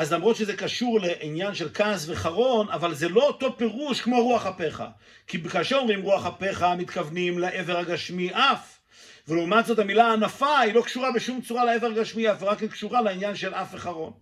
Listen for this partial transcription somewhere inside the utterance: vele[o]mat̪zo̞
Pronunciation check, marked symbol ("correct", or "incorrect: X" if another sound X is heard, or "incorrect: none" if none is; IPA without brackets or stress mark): incorrect: u